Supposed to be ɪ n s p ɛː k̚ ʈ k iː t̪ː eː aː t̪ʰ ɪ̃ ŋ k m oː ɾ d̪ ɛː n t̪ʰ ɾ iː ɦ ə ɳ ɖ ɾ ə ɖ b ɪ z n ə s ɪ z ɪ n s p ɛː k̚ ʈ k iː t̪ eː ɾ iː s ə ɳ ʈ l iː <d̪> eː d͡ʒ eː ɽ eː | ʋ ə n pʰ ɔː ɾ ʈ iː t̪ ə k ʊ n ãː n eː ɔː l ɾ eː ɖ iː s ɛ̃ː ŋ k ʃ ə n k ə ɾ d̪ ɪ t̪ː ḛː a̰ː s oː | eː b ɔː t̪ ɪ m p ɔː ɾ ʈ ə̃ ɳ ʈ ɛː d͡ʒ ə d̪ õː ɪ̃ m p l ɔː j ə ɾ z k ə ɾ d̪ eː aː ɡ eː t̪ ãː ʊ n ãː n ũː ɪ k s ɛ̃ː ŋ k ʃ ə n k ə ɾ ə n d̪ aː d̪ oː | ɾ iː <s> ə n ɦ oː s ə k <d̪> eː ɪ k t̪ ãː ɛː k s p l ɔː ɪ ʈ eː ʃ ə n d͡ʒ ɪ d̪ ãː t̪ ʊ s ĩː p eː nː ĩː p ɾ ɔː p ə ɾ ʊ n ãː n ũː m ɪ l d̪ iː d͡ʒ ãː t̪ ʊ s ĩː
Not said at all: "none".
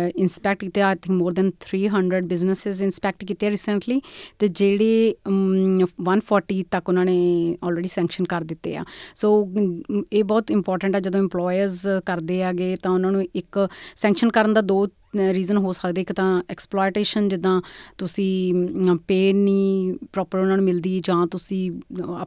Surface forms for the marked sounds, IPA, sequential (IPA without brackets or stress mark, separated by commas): t̪, z, d̪